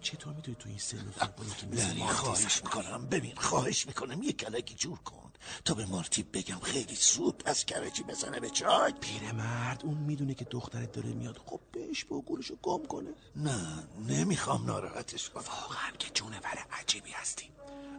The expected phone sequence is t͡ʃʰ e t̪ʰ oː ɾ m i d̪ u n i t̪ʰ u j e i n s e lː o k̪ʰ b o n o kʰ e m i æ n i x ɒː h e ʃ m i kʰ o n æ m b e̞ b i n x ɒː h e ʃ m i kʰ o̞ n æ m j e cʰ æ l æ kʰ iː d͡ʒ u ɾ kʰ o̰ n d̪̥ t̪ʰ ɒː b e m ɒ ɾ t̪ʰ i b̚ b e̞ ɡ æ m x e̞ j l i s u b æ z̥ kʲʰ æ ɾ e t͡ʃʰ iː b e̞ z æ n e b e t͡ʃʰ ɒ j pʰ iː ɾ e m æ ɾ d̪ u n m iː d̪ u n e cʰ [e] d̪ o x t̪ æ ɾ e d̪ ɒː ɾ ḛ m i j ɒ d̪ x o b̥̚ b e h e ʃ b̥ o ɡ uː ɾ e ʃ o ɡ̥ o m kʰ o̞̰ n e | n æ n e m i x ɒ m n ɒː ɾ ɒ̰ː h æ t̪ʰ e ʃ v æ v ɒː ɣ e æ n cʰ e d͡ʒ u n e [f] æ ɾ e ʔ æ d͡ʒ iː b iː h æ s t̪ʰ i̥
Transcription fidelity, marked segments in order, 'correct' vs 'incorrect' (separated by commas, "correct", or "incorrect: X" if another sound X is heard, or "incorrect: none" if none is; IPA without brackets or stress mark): correct, incorrect: v